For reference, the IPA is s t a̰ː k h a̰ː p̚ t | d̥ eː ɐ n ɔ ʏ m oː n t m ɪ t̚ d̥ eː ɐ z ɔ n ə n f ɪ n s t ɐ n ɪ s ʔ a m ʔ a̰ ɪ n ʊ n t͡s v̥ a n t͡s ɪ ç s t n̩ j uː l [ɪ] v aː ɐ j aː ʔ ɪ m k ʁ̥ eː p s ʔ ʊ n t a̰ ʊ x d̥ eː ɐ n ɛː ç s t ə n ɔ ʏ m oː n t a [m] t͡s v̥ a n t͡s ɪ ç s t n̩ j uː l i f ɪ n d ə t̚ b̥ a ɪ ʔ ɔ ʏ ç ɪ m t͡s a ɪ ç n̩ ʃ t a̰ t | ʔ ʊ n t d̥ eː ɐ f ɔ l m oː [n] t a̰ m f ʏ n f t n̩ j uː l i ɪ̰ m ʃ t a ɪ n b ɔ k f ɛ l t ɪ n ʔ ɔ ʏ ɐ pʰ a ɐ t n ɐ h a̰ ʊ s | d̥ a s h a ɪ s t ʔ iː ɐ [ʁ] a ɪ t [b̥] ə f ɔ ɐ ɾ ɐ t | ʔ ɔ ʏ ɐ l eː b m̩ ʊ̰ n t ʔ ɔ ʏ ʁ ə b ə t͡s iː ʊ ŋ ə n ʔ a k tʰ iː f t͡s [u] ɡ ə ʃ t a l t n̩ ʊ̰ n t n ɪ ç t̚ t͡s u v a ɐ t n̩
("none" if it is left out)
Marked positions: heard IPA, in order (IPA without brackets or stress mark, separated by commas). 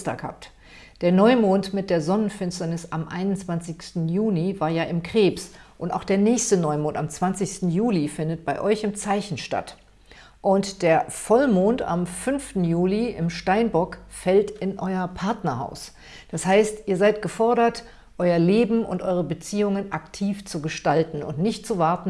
i, m, n, z, ɡ̥, u